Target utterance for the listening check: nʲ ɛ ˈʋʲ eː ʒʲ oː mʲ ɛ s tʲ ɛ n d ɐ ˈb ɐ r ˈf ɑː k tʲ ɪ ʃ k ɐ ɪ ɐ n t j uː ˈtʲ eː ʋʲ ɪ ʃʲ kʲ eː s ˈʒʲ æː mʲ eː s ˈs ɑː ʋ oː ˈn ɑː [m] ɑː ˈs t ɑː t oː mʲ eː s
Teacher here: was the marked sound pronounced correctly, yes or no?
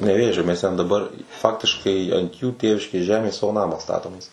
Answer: yes